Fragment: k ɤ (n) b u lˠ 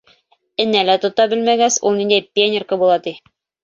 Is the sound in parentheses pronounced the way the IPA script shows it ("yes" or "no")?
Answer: no